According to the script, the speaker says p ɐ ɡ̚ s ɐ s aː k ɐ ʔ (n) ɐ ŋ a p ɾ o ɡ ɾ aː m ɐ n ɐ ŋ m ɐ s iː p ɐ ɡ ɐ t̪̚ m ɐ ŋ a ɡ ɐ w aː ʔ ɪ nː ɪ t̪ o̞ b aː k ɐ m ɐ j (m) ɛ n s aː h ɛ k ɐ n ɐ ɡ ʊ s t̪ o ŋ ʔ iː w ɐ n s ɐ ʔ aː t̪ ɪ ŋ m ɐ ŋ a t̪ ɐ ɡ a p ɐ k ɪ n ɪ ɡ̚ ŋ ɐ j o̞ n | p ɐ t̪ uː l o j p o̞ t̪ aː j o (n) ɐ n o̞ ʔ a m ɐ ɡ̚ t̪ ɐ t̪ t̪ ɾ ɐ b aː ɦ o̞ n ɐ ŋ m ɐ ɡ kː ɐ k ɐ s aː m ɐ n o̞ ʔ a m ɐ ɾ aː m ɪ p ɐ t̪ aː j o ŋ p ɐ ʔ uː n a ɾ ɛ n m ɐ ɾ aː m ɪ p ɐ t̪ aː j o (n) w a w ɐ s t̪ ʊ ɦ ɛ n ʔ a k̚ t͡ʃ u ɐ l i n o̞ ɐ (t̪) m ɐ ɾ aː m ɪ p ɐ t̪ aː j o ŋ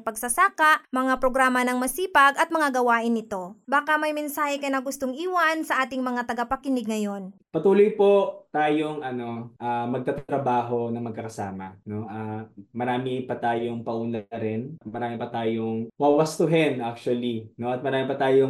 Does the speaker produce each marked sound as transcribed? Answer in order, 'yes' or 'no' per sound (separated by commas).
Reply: no, yes, no, no, yes